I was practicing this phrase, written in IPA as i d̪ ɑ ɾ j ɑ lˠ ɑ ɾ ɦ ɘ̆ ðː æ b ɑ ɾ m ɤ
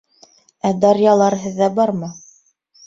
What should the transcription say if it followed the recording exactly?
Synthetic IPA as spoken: æ d̪ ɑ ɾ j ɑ lˠ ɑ ɾ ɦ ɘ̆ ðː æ b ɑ ɾ m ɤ